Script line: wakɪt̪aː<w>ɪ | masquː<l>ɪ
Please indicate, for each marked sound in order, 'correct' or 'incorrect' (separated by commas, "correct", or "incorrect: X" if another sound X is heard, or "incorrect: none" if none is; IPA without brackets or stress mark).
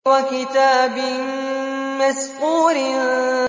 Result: incorrect: b, incorrect: ɾ